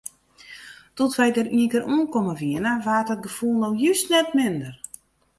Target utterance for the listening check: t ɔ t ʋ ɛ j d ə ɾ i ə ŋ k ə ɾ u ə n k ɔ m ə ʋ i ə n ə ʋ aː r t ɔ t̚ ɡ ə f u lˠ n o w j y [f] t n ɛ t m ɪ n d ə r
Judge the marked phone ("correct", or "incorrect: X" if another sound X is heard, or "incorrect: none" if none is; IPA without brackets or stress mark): incorrect: s